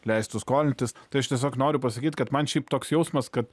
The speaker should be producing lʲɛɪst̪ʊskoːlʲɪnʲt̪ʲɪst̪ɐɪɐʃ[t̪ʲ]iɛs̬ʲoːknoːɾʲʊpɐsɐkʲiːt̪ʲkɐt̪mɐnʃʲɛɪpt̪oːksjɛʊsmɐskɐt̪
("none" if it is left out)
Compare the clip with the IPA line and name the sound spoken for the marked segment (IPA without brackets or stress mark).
t̪ʲ